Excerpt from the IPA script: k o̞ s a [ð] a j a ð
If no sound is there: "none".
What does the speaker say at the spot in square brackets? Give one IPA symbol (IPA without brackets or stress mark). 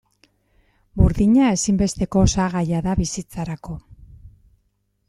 ɣ